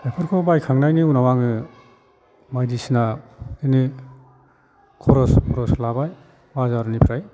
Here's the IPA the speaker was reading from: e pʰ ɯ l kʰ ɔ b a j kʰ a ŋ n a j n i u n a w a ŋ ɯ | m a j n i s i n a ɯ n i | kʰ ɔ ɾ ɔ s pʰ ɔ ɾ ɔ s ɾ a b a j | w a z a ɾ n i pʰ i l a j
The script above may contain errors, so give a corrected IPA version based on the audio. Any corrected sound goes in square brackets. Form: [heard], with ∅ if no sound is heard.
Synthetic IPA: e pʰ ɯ [ɾ] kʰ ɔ b a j kʰ a ŋ n a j n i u n a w a ŋ ɯ | m a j [d] i s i n a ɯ n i | kʰ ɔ ɾ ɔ s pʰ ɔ ɾ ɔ s [l] a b a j | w a z a ɾ n i pʰ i [ɾ] a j